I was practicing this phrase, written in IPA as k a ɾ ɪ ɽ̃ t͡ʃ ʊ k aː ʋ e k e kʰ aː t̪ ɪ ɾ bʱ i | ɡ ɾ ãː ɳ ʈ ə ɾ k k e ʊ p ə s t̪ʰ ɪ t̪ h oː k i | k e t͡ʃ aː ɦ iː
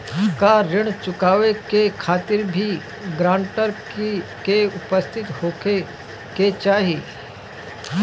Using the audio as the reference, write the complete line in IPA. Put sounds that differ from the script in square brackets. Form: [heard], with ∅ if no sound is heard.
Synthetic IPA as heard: k a ɾ ɪ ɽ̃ t͡ʃ ʊ k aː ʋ e k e kʰ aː t̪ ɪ ɾ bʱ i | ɡ ɾ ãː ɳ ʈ ə ɾ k k e ʊ p ə s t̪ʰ ɪ t̪ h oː k [e] | k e t͡ʃ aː ɦ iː

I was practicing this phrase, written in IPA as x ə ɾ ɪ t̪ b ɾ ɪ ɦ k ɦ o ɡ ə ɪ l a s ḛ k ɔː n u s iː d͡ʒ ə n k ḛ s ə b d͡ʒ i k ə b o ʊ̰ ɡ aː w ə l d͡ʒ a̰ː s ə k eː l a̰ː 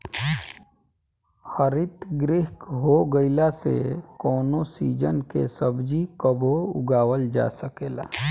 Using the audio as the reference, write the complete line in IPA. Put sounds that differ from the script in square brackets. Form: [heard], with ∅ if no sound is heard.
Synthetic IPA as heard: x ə ɾ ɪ t̪ [ɡ] ɾ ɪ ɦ k ɦ o ɡ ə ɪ l a s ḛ k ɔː n [o] s iː d͡ʒ ə n k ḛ s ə b d͡ʒ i k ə b o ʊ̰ ɡ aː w ə l d͡ʒ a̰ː s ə k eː l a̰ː

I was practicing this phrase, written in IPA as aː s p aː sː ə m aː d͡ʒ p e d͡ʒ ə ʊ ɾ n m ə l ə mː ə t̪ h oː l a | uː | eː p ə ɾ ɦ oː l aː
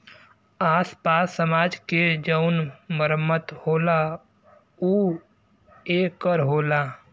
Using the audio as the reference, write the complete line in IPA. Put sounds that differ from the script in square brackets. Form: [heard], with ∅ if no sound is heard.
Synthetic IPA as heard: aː s p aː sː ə m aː d͡ʒ [k] e d͡ʒ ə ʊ [∅] n m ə [ɾ] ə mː ə t̪ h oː l a | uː | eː [k] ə ɾ ɦ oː l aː

